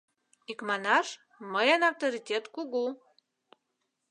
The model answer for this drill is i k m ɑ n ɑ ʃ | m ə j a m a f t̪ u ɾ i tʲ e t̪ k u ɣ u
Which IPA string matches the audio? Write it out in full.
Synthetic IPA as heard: i k m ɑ n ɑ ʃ | m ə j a n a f t̪ o ɾ i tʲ e t̪ k u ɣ u